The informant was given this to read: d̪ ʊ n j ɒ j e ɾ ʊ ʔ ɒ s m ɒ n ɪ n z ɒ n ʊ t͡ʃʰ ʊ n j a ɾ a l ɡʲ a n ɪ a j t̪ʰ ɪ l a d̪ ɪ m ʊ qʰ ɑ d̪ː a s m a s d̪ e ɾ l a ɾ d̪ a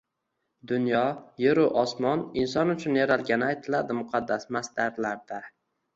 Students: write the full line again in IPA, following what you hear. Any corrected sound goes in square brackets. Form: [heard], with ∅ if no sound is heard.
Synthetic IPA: d̪ ʊ n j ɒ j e ɾ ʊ ʔ ɒ s m ɒ n ɪ n [s] ɒ n ʊ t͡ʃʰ ʊ n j a ɾ a l ɡʲ a n ɪ a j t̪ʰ ɪ l a d̪ ɪ m ʊ qʰ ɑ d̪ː a s m a s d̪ [a] ɾ l a ɾ d̪ a

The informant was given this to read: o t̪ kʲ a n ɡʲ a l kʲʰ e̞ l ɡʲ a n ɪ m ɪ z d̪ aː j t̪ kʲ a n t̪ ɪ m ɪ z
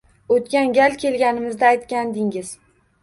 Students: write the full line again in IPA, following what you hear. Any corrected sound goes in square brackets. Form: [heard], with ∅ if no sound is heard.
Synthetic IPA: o t̪ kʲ a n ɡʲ a l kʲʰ e̞ l ɡʲ a n ɪ m ɪ z d̪ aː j t̪ kʲ a n [d̪] ɪ [ŋ] ɪ z

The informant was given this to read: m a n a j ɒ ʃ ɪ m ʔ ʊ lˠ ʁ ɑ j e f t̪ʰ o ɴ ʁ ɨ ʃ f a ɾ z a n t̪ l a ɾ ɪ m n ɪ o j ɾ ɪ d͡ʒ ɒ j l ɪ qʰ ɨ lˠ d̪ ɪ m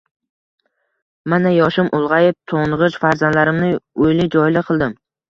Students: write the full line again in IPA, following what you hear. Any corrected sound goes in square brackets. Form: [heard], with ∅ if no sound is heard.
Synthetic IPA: m a n a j ɒ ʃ ɪ m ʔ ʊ lˠ ʁ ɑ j e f t̪ʰ o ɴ ʁ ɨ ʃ f a ɾ z a n [d̪] l a ɾ ɪ m n ɪ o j [l] ɪ d͡ʒ ɒ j l ɪ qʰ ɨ lˠ d̪ ɪ m

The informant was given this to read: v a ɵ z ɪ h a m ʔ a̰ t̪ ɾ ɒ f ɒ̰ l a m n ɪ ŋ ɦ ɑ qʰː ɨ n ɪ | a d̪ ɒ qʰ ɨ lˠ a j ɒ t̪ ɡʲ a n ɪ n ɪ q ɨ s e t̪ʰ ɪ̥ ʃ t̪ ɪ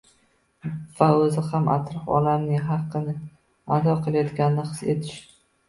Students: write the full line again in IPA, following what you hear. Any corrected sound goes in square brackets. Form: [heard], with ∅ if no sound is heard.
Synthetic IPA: v a ɵ z ɪ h a m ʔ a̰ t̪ ɾ ɒ f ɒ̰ l a m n ɪ ŋ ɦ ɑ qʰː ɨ n ɪ | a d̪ ɒ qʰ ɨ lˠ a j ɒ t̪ ɡʲ a n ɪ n ɪ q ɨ s e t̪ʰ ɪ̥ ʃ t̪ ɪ

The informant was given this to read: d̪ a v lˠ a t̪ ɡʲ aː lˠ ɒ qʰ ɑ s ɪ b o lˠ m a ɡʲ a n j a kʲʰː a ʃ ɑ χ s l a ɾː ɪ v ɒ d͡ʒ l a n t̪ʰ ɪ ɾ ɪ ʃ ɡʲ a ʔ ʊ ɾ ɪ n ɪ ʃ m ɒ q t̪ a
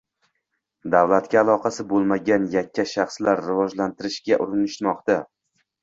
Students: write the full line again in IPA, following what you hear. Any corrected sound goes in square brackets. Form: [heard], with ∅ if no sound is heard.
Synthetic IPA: d̪ a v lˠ a t̪ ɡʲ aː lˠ ɒ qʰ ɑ s ɪ b o lˠ m a ɡʲ a n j a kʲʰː a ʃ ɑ χ s l a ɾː ɪ v ɒ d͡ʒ l a n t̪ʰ ɪ ɾ ɪ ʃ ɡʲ a ʔ ʊ ɾ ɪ n ɪ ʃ m ɒ q t̪ a

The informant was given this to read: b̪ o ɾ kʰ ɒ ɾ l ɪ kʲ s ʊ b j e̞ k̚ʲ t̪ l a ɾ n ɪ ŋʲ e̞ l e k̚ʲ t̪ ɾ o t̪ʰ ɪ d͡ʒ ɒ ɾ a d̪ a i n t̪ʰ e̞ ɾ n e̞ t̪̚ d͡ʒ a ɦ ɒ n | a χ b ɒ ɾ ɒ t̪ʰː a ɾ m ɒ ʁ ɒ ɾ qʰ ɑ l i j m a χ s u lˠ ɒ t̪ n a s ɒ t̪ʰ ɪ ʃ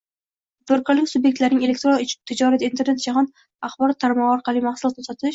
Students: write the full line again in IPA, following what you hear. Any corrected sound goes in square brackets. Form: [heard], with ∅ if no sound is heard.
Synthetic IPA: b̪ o ɾ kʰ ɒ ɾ l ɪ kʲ s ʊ b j e̞ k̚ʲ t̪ l a ɾ n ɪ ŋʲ e̞ l e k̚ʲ t̪ ɾ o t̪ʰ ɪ d͡ʒ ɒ ɾ a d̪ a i n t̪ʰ e̞ ɾ n e̞ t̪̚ d͡ʒ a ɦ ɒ n | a χ b ɒ ɾ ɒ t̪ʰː a ɾ m ɒ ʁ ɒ ɾ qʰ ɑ l i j m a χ s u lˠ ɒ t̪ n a s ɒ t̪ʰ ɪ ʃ

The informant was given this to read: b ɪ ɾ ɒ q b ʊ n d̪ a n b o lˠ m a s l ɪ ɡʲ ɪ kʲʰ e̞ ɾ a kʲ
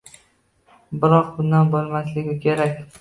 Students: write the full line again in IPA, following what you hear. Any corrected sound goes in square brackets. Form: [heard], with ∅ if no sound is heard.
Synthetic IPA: b ɪ ɾ ɒ q b ʊ n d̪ a n b o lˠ m a s l ɪ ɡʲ ɪ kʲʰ e̞ ɾ a kʲ

